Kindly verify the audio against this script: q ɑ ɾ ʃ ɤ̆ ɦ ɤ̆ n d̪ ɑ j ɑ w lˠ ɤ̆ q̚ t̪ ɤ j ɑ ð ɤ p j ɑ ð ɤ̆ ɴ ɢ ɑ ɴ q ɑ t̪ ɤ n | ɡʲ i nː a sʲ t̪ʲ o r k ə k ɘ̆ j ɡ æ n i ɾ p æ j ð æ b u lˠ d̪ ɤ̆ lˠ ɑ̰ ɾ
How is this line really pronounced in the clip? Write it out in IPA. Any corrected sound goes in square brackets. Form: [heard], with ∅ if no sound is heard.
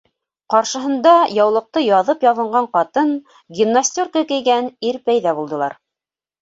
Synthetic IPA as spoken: q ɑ ɾ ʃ ɤ̆ ɦ ɤ̆ n d̪ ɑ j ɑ w lˠ ɤ̆ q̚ t̪ ɤ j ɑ ð ɤ p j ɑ ð ɤ̆ ɴ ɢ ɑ ɴ q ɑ t̪ ɤ n | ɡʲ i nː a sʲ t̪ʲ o r k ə k ɘ̆ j ɡ æ n i ɾ p æ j ð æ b u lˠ d̪ ɤ̆ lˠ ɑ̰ ɾ